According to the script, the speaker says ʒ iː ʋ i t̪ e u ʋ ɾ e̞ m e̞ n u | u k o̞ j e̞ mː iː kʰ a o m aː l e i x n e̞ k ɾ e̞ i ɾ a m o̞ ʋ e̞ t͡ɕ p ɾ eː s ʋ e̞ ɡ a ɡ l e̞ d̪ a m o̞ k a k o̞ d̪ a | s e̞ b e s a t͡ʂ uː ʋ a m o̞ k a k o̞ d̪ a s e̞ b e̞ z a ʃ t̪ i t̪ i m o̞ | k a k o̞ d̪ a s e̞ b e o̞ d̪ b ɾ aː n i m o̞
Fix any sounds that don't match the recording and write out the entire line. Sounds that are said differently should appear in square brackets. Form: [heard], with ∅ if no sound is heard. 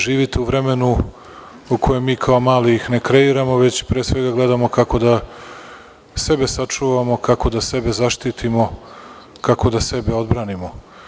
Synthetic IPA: ʒ iː ʋ i t̪ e u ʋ ɾ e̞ m e̞ n u | u k o̞ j e̞ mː iː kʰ a o m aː l [i] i x n e̞ k ɾ e̞ i ɾ a m o̞ ʋ e̞ t͡ɕ p ɾ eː s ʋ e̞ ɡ a ɡ l e̞ d̪ a m o̞ k a k o̞ d̪ a | s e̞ b e s a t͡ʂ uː ʋ a m o̞ k a k o̞ d̪ a s e̞ b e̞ z a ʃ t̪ i t̪ i m o̞ | k a k o̞ d̪ a s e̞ b e o̞ d̪ b ɾ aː n i m o̞

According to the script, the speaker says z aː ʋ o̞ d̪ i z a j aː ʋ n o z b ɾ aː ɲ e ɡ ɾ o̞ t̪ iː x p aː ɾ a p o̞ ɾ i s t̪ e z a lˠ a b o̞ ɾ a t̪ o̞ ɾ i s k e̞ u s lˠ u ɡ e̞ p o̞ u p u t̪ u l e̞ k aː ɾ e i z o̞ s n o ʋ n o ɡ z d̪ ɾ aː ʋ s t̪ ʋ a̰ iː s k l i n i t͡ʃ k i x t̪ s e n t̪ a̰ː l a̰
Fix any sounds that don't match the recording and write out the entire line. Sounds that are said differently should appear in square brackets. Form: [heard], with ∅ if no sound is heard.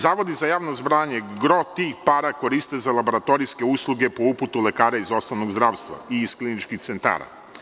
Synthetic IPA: z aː ʋ o̞ d̪ i z a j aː ʋ n o z b ɾ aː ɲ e ɡ ɾ o̞ t̪ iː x p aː ɾ a [k] o̞ ɾ i s t̪ e z a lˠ a b o̞ ɾ a t̪ o̞ ɾ i s k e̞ u s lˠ u ɡ e̞ p o̞ u p u t̪ u l e̞ k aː ɾ [a] i z o̞ s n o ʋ n o ɡ z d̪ ɾ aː ʋ s t̪ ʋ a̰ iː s k l i n i t͡ʃ k i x t̪ s e n t̪ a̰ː [ɾ] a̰

